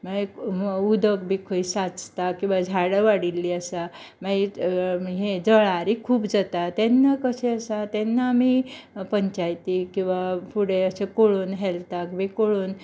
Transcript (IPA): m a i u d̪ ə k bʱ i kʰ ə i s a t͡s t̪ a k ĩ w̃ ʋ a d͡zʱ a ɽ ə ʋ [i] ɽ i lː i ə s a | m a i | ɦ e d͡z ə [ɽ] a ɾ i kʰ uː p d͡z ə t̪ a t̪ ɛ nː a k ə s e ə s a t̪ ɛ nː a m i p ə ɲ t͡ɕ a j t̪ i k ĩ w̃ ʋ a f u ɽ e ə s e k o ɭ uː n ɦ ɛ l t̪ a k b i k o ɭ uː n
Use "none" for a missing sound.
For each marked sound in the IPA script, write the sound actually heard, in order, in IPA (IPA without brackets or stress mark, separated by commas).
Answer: a, ɭ